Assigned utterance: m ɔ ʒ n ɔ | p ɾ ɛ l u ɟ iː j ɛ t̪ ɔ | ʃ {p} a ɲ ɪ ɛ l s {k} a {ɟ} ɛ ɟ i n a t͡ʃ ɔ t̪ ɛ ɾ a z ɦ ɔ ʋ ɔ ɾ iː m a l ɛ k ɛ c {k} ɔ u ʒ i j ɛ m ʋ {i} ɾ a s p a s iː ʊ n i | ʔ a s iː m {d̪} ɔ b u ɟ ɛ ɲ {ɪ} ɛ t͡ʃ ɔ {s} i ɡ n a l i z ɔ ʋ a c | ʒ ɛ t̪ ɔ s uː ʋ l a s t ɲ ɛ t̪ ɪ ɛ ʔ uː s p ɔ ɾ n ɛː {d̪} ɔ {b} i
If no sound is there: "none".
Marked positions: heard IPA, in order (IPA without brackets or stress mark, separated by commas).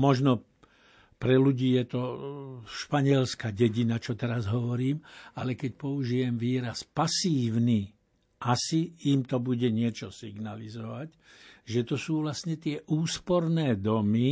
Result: p, k, ɟ, p, iː, t̪, ɪ, s, d̪, m